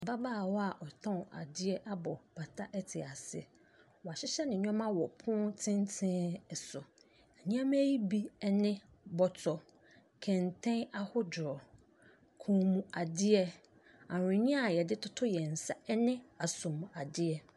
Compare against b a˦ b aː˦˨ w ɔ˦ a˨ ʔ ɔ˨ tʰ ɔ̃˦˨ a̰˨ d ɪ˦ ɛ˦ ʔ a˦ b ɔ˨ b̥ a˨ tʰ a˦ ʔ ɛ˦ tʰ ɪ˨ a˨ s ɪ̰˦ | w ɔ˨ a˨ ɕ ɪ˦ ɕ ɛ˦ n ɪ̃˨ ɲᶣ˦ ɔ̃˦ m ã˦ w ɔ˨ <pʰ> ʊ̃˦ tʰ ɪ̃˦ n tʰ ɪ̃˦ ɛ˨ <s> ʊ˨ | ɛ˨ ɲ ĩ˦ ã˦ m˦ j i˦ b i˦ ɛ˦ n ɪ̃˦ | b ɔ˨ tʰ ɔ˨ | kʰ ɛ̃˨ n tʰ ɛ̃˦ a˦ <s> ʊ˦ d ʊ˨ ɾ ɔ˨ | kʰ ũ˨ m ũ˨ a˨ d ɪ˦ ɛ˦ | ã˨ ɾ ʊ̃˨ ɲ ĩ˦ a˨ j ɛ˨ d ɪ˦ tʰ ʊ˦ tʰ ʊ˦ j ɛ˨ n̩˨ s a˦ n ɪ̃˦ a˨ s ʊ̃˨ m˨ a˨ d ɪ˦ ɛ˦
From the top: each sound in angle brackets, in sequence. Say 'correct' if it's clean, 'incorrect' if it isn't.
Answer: correct, correct, incorrect: h

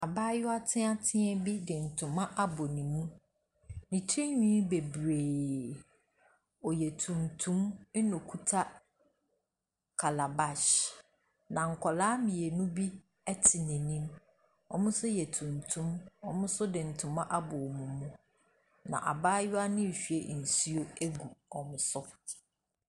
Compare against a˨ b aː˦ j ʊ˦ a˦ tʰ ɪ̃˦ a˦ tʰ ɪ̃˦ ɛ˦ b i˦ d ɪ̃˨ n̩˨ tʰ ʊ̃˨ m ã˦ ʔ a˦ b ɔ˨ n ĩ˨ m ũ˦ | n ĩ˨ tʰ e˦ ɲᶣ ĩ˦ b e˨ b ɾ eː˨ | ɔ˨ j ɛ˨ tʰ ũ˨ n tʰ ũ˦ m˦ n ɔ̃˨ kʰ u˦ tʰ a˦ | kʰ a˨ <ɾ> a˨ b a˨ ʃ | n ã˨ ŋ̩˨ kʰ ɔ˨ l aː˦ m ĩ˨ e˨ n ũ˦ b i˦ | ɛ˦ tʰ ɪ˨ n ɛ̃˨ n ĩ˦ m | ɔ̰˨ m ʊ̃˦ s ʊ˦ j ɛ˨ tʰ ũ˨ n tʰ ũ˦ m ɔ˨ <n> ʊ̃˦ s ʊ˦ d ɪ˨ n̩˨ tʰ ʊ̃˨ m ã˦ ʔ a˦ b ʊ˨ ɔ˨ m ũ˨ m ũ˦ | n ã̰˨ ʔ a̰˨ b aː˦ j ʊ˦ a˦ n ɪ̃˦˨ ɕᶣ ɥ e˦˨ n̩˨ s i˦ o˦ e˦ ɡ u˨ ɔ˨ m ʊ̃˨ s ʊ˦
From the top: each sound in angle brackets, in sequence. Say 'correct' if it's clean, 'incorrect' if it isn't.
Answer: incorrect: l, incorrect: m

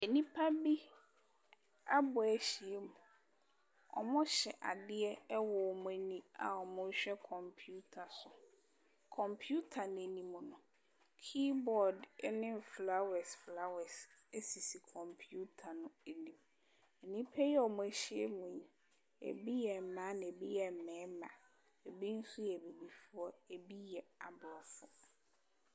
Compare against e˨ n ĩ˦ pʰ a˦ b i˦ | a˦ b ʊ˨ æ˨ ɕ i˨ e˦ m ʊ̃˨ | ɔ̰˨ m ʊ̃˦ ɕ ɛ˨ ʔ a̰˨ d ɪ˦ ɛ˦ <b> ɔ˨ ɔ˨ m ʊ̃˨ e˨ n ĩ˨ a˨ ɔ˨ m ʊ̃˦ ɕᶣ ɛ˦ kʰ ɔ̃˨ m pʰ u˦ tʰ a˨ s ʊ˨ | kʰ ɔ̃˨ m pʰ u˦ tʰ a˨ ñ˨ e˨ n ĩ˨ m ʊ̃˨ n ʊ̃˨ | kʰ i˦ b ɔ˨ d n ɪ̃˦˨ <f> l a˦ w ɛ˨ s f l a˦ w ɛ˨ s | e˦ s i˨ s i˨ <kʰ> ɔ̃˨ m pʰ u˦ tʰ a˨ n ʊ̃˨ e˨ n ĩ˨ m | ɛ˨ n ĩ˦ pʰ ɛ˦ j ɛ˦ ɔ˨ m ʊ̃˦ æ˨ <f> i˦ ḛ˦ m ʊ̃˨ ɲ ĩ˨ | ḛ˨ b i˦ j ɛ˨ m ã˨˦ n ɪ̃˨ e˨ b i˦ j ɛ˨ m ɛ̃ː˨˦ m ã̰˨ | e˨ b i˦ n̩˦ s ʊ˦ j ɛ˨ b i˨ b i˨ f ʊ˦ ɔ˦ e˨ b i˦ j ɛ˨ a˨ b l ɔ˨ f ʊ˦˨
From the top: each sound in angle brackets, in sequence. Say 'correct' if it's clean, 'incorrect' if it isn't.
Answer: incorrect: w, correct, correct, incorrect: ɕ

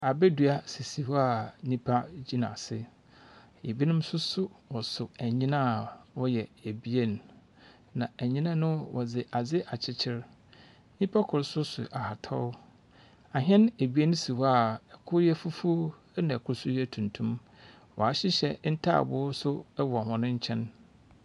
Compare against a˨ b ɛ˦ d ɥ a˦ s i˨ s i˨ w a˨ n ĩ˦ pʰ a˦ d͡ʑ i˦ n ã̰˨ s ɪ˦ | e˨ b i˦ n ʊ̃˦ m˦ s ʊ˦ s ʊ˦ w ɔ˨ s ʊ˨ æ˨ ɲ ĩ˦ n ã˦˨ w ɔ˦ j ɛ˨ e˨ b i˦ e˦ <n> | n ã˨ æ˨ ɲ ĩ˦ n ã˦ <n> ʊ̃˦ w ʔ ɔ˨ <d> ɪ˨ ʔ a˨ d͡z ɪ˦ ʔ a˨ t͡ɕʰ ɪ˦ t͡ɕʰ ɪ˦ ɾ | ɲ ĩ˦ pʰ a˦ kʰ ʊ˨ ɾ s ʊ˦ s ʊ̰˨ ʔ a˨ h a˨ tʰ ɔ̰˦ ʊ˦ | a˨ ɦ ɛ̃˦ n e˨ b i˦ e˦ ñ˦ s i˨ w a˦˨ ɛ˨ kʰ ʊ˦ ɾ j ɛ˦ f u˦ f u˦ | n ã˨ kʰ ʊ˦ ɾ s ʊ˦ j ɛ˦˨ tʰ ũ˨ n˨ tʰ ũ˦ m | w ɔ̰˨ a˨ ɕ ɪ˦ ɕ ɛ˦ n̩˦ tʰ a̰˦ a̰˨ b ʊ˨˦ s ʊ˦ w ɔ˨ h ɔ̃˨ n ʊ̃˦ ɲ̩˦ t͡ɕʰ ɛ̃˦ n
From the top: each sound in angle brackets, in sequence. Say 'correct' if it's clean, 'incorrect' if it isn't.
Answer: correct, correct, incorrect: d͡z

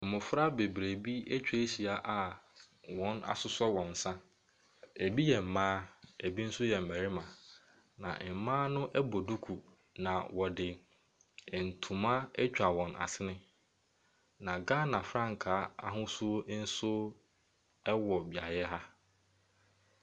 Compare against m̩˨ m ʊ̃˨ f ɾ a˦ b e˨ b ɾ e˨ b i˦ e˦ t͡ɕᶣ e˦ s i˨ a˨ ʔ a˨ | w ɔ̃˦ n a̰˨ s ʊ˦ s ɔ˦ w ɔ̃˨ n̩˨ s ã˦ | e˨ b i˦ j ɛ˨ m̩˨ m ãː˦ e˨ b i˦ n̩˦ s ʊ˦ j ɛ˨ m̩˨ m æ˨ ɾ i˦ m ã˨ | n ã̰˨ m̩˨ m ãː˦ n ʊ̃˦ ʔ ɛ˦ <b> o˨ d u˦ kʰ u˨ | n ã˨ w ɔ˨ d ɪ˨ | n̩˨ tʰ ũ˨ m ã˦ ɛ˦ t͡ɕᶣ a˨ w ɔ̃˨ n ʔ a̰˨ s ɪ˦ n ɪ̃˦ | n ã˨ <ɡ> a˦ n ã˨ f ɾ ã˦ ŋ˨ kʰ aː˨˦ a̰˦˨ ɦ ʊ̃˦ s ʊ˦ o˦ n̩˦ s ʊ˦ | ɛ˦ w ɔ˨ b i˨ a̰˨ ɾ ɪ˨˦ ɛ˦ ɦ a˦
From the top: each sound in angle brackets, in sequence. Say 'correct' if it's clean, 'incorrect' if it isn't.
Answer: correct, correct

